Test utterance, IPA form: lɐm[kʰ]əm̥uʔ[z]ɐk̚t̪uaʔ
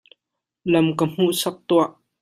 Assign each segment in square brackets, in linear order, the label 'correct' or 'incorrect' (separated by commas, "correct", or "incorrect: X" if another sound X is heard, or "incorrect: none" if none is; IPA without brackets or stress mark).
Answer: incorrect: k, incorrect: s